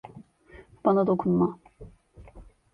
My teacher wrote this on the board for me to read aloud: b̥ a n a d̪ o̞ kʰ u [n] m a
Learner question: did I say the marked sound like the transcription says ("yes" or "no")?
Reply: yes